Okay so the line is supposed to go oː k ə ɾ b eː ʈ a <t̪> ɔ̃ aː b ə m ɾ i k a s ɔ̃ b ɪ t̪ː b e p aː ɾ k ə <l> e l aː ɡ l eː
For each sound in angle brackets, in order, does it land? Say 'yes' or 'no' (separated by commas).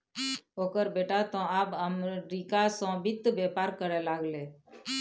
yes, no